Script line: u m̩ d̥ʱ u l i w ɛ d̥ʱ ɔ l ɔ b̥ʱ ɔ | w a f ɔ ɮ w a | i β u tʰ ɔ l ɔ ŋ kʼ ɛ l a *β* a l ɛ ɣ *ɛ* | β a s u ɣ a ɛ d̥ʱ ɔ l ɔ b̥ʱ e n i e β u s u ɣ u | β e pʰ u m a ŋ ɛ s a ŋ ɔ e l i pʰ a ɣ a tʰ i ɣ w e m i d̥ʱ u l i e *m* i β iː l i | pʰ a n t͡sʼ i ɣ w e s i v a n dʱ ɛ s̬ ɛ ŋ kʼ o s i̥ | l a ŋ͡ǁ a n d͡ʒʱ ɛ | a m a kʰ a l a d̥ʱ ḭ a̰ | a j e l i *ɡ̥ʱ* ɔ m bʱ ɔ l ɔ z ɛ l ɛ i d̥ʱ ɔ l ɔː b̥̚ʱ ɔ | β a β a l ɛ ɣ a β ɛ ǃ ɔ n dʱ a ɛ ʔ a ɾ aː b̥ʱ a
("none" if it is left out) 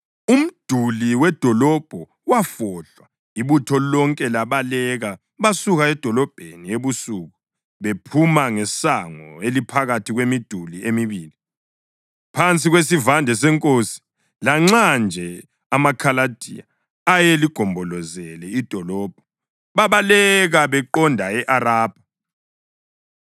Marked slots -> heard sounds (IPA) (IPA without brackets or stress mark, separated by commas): β, a, m, ɡ̥ʱ